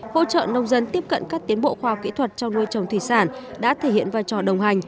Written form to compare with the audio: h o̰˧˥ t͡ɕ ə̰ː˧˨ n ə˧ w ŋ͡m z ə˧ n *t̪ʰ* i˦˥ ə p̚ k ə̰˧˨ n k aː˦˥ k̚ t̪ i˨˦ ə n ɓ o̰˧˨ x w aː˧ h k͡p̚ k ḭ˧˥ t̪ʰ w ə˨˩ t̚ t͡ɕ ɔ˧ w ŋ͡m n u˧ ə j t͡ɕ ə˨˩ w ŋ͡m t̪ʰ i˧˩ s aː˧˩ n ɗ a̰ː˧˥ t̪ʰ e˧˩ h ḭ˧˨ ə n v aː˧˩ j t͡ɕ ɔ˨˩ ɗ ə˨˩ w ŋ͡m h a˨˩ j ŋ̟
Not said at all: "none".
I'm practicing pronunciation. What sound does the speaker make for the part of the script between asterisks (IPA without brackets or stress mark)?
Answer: t̪